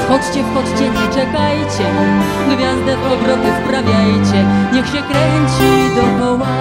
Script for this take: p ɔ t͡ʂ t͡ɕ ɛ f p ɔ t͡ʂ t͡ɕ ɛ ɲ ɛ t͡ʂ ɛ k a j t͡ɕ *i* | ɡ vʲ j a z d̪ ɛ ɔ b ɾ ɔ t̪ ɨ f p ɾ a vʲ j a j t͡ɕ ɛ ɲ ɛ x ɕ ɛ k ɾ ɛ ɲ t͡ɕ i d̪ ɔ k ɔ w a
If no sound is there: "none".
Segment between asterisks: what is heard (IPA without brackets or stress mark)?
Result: ɛ